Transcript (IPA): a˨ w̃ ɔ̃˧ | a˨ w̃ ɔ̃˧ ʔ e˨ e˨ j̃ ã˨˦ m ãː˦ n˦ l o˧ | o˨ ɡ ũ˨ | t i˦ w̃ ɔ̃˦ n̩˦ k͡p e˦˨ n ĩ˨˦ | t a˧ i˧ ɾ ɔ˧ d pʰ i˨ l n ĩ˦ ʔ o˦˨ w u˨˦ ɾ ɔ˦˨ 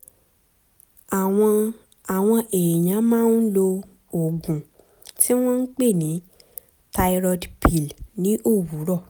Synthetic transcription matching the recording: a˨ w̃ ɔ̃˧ | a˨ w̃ ɔ̃˧ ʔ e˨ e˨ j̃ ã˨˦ m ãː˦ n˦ l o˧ | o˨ ɡ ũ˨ | t i˦ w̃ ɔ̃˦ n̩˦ k͡p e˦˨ n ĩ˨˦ | t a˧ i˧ ɾ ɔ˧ d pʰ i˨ l n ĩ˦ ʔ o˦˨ w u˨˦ ɾ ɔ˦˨